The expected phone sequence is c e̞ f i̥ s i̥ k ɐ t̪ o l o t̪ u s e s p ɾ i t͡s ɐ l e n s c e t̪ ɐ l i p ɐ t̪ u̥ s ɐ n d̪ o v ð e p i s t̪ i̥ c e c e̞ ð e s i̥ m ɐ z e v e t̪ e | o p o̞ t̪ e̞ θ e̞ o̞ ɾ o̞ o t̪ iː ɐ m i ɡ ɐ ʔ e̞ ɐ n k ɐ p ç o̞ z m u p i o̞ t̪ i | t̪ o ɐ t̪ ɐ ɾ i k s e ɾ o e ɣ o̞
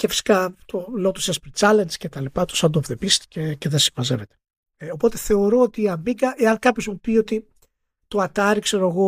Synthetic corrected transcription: c e̞ f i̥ s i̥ k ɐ t̪ o l o t̪ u s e s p ɾ i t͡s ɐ l e n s c e t̪ ɐ l i p ɐ t̪ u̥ s ɐ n d̪ o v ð e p i s t̪ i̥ c e c e̞ ð e s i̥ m ɐ z e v e t̪ e | o p o̞ t̪ e̞ θ e̞ o̞ ɾ o̞ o t̪ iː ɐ m i ɡ ɐ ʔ e̞ ɐ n k ɐ p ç o̞ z m u p i o̞ t̪ i | t̪ o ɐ t̪ ɐ ɾ i k s e ɾ o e ɣ o̞